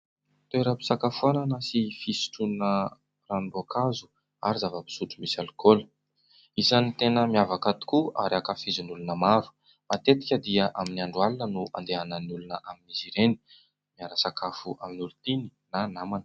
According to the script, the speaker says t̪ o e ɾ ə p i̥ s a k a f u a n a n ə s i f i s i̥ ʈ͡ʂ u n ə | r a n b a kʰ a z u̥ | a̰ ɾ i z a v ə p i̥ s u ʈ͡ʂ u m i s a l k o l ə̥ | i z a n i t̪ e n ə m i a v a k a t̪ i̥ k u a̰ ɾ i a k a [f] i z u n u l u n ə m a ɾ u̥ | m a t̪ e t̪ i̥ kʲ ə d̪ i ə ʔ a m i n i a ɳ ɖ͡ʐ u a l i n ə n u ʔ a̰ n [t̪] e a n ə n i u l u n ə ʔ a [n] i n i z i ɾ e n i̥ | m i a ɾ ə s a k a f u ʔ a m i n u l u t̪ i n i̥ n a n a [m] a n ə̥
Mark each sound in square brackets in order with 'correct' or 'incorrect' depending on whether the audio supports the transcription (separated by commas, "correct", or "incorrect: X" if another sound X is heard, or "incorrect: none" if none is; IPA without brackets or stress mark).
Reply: correct, incorrect: d̪, incorrect: m, correct